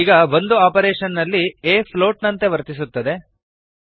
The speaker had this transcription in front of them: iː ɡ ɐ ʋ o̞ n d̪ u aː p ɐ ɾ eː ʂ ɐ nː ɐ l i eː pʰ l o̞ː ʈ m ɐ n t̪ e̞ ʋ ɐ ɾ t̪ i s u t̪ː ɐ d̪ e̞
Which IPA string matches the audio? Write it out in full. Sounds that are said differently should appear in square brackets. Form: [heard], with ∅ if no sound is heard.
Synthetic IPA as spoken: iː ɡ ɐ ʋ o̞ n d̪ u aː p ɐ ɾ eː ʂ ɐ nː ɐ [lː] i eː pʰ l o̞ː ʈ [n] ɐ n t̪ e̞ ʋ ɐ ɾ t̪ i s u t̪ː ɐ d̪ e̞